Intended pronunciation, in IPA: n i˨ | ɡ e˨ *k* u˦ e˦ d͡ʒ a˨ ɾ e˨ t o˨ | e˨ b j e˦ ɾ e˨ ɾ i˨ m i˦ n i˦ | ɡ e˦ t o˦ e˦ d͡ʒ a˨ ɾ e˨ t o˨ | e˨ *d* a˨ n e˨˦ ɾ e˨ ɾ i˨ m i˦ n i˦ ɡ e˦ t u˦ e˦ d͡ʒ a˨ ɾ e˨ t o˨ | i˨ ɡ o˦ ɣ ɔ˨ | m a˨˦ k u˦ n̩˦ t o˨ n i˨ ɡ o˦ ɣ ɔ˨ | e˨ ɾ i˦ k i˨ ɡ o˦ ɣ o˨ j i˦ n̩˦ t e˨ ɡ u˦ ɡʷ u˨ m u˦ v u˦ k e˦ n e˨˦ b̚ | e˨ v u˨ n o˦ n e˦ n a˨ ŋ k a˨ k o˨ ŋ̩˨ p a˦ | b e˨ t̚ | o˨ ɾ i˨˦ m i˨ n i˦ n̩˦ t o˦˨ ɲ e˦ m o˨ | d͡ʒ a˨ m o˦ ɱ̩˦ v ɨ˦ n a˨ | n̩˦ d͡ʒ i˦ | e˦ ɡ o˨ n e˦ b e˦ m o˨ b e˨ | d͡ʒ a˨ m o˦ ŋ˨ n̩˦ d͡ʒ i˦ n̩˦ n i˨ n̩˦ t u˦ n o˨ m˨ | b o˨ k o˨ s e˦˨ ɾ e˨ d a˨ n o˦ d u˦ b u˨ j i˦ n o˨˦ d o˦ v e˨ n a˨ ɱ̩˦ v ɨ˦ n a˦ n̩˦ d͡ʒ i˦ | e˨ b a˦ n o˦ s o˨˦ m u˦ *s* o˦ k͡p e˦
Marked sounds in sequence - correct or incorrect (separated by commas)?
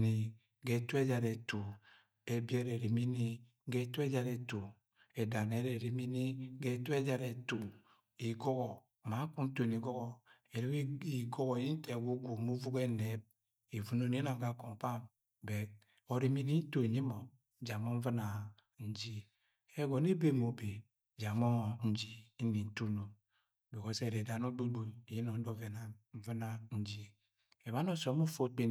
incorrect, correct, incorrect